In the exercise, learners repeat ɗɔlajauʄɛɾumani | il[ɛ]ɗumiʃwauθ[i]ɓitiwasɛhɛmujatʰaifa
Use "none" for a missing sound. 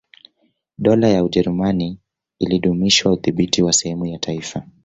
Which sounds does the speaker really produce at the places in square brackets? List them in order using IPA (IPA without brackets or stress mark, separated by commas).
i, i